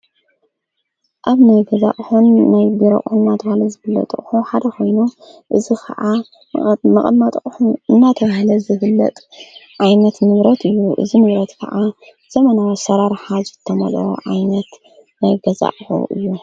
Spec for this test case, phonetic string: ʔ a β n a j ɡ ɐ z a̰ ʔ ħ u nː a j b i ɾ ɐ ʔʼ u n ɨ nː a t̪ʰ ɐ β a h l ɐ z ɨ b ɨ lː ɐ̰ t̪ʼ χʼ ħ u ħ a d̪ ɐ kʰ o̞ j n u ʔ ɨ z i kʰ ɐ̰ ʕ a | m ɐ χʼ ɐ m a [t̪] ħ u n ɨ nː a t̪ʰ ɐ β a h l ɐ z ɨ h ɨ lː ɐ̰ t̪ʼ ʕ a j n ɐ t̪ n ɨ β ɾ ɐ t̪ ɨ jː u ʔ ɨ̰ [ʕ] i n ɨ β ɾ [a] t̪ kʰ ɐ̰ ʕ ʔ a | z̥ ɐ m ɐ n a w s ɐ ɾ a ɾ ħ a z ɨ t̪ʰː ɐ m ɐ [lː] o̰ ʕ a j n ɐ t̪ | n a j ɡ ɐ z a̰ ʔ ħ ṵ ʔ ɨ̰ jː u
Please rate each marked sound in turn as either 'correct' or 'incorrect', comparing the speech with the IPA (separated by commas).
incorrect, incorrect, incorrect, incorrect